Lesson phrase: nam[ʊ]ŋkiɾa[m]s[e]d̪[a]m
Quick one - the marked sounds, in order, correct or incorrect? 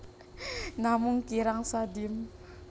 incorrect: u, incorrect: ŋ, incorrect: a, incorrect: i

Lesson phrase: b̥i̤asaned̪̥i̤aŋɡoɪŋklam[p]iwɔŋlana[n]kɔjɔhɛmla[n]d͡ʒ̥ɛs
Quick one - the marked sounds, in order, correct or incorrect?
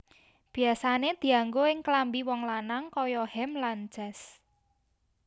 incorrect: b, incorrect: ŋ, correct

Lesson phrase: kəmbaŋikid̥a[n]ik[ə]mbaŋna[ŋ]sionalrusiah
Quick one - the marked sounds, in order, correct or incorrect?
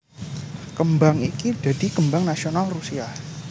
incorrect: d, correct, incorrect: none

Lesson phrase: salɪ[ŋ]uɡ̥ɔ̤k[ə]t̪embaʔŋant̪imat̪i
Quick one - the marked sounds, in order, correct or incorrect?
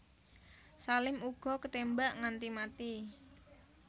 incorrect: m, correct

